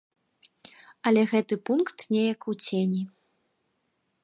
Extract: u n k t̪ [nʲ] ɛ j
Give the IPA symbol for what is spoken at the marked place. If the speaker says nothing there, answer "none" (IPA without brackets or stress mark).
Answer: nʲ